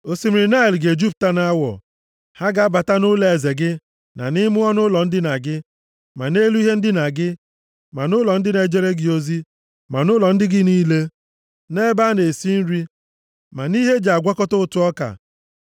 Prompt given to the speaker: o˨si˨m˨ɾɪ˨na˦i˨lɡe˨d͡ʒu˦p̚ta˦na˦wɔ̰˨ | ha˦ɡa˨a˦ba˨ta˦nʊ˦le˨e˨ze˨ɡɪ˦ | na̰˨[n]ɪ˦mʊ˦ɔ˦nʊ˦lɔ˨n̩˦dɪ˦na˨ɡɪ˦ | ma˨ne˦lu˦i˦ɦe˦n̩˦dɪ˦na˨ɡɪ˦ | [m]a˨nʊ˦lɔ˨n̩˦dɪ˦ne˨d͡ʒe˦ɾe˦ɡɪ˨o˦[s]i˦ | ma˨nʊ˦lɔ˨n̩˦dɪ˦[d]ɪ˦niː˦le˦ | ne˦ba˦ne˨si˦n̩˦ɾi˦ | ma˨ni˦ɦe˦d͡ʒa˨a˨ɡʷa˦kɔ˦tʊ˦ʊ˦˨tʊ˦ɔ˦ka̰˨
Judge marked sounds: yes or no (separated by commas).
yes, yes, no, no